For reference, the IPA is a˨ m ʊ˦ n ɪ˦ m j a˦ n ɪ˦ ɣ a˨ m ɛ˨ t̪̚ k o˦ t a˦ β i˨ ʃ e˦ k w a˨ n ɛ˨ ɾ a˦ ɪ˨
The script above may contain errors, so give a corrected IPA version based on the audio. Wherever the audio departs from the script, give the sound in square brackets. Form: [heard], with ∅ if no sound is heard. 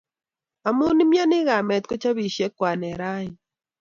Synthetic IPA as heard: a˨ m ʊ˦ n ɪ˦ m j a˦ n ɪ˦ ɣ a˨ m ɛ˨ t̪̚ k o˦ [t͡ʃ] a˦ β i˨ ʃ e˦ k w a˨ n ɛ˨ ɾ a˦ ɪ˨